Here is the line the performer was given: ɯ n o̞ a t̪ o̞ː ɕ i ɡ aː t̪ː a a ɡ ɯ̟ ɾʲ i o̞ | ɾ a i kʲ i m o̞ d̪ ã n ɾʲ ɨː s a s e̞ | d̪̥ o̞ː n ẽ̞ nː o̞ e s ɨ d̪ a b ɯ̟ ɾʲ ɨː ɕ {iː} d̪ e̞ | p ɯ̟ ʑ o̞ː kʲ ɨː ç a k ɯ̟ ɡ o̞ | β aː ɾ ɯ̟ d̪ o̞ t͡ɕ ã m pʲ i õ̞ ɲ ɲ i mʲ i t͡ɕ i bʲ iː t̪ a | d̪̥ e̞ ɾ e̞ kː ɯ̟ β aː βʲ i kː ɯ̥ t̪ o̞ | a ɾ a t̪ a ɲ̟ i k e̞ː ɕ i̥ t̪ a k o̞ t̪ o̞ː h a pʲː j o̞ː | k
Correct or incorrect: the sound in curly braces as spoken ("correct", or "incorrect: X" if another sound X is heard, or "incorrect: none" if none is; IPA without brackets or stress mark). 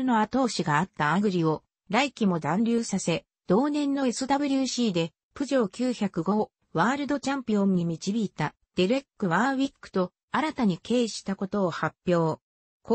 correct